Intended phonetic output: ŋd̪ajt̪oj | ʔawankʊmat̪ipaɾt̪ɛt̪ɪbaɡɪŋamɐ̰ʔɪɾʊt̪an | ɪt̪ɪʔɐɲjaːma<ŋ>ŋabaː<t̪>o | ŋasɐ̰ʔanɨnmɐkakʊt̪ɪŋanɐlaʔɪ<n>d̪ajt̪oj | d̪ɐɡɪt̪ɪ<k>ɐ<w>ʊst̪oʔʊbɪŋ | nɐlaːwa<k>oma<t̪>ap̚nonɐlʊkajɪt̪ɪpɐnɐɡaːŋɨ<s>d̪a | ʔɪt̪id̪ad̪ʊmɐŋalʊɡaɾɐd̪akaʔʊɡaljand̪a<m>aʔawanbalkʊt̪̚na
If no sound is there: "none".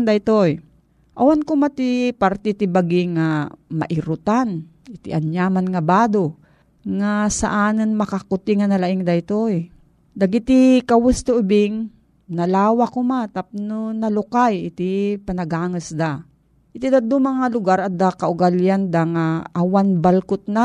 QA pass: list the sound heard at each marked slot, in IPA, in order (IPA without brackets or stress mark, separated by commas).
n, d̪, ŋ, k, w, k, t̪, s, ŋ